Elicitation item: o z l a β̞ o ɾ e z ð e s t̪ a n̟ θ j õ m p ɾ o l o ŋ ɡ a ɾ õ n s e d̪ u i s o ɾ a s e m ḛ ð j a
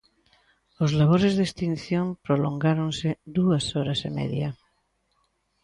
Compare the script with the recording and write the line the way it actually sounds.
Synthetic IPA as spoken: o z l a β̞ o ɾ e z ð e s t̪ i n̟ θ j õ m p ɾ o l o ŋ ɡ a ɾ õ n s e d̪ u a s o ɾ a s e m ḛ ð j a